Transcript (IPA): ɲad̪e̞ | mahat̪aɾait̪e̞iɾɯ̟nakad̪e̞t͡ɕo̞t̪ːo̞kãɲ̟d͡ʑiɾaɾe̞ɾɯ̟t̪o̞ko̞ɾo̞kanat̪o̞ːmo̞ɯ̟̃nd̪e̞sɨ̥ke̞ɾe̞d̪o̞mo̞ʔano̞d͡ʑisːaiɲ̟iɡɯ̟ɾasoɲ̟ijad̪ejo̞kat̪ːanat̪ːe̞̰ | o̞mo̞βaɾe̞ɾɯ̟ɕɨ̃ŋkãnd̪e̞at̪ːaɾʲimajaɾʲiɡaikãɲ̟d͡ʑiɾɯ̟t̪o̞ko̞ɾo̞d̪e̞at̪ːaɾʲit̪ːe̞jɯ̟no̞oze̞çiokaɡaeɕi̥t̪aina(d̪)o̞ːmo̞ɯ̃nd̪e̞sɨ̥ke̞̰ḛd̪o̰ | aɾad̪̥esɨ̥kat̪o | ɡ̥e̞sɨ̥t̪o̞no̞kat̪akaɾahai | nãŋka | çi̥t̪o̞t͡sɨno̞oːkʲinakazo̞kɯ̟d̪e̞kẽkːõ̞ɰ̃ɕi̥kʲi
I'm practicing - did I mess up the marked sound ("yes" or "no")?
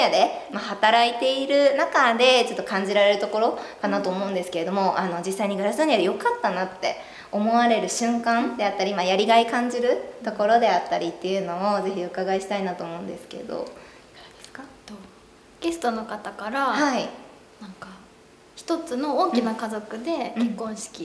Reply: yes